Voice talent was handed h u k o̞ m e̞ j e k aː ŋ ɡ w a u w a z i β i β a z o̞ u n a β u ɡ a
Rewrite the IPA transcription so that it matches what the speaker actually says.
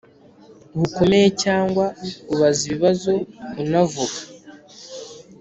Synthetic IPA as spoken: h u k o̞ m e̞ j e c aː ŋ ɡ w a u β a z i β i β a z o̞ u n a v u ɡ a

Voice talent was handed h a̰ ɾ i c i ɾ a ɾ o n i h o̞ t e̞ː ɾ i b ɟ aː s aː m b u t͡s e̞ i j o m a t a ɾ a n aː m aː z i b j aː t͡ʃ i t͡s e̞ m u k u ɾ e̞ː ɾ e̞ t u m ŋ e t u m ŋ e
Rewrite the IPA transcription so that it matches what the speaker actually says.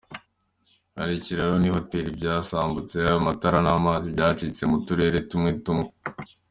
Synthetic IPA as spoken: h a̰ ɾ i c i ɾ a ɾ o n i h o̞ t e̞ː ɾ i b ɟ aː s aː m b u t͡s e̞ a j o m a t a ɾ a n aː m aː z i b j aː t͡ʃ i t͡s e̞ m u t u ɾ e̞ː ɾ e̞ t u m ŋ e t u m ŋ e

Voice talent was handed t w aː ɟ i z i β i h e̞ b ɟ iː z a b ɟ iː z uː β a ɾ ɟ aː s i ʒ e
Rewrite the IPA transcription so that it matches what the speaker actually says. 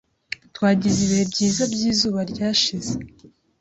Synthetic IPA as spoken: t w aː ɟ i z i β i h e̞ b ɟ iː z a b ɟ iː z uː β a ɾ ɟ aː ʃ i z e

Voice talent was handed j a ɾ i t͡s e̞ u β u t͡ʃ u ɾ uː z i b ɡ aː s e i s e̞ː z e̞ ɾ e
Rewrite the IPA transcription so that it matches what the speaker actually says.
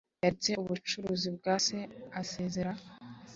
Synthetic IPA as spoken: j a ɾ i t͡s e̞ u β u t͡ʃ u ɾ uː z i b ɡ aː s e a s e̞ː z e̞ ɾ a

